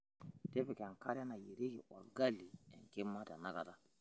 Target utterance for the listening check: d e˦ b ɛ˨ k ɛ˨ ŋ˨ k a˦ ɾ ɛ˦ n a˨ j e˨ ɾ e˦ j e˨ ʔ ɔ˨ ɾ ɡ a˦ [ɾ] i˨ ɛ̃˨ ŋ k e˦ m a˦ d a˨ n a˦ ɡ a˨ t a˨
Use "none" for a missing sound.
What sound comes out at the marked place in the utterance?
l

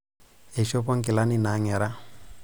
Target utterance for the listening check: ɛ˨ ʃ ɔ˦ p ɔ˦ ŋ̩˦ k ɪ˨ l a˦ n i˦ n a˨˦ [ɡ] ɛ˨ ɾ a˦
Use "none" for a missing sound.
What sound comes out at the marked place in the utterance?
ŋ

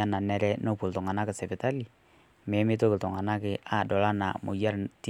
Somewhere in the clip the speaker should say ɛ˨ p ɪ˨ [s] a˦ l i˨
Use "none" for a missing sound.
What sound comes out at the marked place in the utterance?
t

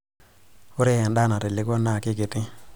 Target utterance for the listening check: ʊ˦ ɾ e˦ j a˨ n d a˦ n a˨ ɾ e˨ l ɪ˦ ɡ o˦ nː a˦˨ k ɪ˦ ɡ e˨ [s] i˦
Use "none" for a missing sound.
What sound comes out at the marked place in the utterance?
t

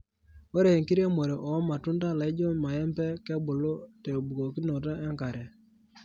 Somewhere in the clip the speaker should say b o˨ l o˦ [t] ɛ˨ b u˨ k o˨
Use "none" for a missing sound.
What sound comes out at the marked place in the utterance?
t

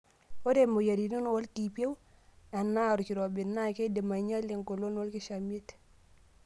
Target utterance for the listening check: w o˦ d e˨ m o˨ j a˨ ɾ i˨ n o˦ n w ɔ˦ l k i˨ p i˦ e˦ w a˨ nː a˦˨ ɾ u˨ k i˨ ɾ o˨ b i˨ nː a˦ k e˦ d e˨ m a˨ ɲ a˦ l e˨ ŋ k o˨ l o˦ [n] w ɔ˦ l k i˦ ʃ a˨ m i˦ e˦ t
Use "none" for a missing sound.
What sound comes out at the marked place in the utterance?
n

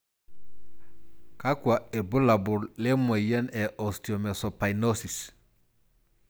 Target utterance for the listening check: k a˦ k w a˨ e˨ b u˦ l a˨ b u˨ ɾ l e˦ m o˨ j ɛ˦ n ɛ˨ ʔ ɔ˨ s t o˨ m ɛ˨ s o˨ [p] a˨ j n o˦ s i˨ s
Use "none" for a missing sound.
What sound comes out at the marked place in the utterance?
p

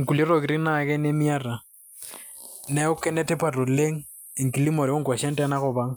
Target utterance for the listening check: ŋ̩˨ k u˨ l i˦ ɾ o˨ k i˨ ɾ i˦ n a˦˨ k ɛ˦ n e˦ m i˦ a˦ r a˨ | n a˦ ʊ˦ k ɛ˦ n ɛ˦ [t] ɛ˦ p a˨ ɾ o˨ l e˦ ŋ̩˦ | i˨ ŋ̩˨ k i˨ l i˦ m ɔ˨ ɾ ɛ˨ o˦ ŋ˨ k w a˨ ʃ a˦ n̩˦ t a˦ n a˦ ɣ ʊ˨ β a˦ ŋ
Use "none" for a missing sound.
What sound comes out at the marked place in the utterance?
t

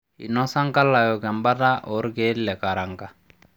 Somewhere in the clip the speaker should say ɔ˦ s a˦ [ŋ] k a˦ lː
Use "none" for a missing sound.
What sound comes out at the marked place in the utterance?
ŋ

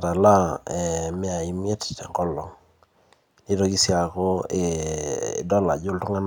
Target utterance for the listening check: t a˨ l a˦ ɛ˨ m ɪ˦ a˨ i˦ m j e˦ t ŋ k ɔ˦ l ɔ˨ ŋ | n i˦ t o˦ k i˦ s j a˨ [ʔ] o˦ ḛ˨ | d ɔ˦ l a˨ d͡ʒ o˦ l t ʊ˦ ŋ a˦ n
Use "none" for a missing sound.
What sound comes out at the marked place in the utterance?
k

